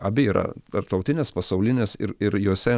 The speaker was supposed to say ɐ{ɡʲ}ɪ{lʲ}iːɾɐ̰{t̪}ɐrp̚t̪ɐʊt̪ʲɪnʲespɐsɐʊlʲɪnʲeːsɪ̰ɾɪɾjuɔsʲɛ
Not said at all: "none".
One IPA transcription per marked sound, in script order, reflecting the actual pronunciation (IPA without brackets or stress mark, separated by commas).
bʲ, none, t̪